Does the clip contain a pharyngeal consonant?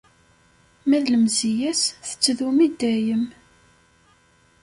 no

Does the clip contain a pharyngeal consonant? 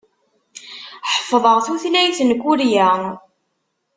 yes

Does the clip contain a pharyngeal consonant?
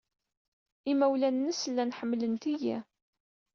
yes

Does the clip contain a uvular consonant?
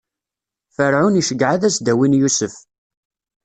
no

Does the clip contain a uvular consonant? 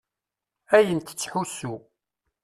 no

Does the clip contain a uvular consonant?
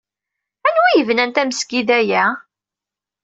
no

